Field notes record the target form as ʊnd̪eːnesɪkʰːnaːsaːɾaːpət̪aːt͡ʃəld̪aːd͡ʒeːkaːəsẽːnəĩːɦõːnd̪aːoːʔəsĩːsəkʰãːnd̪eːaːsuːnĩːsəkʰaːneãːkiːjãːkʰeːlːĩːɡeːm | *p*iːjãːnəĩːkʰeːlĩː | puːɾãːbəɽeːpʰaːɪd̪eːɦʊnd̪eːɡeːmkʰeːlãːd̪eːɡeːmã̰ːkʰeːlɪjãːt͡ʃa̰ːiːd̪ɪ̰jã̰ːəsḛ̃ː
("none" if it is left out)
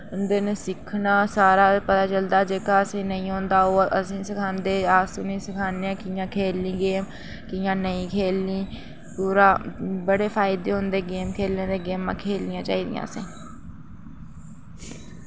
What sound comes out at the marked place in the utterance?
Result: k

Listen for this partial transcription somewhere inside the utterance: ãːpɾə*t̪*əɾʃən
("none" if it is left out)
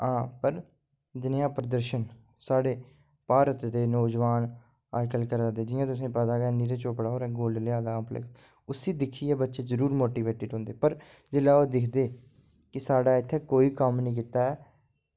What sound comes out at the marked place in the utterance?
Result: d̪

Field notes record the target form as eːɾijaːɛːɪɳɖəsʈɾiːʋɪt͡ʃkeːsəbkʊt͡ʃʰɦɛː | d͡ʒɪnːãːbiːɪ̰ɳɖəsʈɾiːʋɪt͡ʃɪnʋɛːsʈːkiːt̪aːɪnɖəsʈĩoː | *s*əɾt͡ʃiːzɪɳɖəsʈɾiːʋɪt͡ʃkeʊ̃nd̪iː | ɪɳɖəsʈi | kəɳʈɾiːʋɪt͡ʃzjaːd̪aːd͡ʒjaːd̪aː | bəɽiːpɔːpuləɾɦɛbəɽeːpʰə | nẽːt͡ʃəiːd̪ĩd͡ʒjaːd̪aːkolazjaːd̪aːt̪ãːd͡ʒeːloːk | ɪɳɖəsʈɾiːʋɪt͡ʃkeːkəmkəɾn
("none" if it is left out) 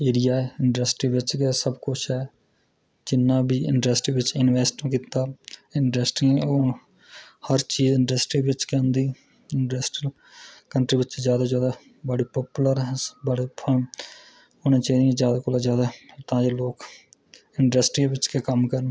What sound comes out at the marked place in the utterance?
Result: h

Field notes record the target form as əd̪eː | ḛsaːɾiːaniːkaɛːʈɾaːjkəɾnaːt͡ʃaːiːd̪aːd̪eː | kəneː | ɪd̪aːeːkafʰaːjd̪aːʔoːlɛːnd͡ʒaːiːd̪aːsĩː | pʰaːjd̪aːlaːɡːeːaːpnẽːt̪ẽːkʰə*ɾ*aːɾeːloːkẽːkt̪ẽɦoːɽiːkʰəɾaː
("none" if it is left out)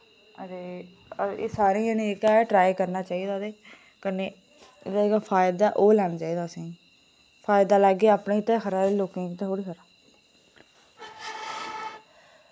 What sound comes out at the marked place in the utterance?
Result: ɾ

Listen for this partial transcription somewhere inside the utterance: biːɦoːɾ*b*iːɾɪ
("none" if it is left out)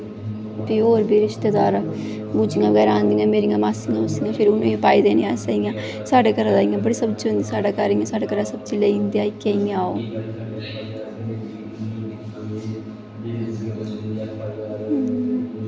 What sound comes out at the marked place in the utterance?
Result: b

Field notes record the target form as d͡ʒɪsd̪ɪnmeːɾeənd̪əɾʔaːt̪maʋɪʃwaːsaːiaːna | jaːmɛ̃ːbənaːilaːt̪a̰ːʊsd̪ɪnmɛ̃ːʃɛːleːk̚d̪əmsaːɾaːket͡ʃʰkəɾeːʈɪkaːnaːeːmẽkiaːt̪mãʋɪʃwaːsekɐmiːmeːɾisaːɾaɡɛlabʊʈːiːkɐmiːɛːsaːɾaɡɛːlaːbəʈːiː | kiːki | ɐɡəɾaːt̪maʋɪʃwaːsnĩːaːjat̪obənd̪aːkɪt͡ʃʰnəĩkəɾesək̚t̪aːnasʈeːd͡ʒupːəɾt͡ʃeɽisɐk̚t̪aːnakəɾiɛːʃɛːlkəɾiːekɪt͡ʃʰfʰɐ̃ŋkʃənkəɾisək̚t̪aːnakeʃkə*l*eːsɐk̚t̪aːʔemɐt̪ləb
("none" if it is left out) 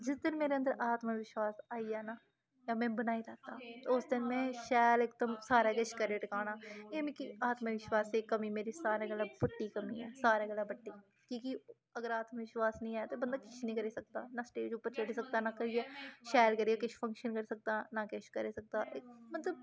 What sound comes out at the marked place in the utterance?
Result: ɾ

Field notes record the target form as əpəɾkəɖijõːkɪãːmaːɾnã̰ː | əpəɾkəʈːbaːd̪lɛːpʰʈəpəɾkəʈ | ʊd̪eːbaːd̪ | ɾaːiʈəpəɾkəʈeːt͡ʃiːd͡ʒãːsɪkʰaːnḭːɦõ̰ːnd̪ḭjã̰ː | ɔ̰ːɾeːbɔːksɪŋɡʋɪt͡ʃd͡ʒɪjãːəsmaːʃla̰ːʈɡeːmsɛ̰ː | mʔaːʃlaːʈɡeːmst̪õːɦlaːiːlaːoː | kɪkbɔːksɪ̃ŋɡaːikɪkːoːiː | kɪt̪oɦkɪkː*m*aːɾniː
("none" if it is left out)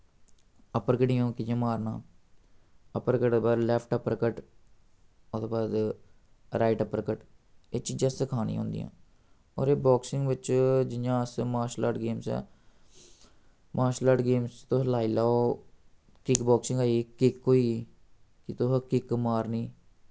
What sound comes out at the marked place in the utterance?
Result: m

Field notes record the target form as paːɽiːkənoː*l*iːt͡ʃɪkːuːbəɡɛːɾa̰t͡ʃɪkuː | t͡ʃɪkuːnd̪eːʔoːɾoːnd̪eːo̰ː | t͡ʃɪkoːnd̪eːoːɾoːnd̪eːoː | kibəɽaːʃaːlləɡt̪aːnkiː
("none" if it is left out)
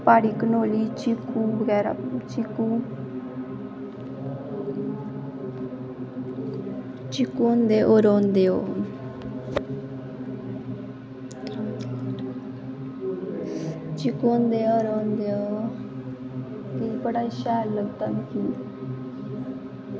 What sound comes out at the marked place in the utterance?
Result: l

